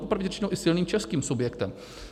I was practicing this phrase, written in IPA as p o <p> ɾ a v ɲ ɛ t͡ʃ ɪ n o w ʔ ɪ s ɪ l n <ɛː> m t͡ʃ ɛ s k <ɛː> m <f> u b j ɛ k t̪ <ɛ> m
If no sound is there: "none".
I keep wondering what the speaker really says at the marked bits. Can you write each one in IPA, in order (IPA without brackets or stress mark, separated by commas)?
p, iː, iː, s, ɛ